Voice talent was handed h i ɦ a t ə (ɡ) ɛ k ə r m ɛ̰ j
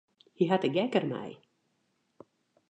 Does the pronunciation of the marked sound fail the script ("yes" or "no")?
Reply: no